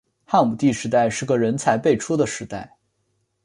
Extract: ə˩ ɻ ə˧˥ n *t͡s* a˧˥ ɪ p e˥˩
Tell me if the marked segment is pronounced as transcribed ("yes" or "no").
no